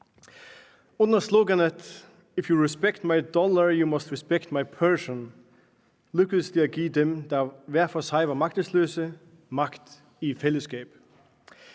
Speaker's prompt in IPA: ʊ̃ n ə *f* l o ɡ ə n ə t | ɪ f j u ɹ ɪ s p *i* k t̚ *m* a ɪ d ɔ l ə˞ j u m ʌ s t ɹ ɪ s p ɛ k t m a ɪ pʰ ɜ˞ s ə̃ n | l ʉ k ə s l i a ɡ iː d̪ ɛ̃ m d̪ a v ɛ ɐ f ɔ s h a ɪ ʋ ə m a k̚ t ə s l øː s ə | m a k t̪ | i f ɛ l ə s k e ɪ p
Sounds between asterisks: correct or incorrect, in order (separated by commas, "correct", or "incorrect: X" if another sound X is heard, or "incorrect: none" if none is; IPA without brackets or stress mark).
incorrect: s, incorrect: ɛ, correct